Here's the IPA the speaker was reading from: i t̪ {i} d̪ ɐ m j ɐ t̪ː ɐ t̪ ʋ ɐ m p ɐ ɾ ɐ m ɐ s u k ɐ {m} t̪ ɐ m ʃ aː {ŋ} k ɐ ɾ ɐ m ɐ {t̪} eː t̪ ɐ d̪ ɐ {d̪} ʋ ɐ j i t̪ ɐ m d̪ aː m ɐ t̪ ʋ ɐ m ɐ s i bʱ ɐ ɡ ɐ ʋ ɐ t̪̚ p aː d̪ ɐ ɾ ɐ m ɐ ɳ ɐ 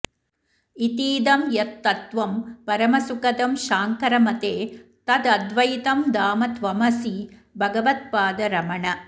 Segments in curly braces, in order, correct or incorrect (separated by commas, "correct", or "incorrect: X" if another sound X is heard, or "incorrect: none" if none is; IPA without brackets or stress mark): incorrect: iː, incorrect: none, correct, correct, correct